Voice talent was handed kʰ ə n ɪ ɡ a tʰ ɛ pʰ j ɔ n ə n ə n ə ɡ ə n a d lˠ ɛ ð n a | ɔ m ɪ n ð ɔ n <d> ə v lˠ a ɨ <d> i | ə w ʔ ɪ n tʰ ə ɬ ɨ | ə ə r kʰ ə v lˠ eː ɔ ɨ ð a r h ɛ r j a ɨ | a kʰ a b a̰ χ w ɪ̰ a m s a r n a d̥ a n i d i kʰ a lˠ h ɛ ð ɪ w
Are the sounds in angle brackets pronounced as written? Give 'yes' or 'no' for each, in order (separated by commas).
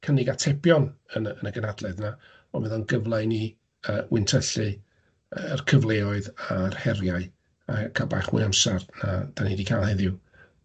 no, no